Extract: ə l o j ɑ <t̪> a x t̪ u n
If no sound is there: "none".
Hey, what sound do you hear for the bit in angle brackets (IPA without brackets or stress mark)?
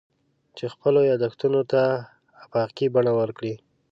d̪